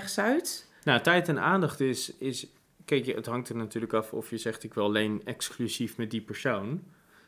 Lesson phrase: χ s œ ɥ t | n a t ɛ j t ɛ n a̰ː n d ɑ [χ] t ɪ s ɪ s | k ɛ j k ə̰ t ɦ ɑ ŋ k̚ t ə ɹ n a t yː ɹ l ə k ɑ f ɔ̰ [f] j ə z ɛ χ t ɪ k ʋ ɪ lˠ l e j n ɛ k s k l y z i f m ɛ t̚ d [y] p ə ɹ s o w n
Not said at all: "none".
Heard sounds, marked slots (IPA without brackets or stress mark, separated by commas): χ, f, i